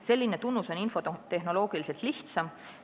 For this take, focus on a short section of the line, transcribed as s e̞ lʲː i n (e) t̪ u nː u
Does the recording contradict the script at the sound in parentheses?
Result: no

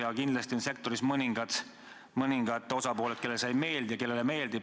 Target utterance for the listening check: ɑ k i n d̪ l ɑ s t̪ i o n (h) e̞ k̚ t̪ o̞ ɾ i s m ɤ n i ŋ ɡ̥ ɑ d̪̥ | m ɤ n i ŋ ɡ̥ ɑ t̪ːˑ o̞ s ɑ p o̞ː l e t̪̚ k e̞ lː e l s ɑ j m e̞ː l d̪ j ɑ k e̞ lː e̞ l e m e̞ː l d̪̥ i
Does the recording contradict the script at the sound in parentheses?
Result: yes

